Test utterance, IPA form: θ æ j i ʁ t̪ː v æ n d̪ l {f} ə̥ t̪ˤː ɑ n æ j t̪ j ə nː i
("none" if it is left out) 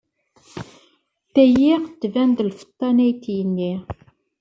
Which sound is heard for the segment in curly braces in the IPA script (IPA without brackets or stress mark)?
f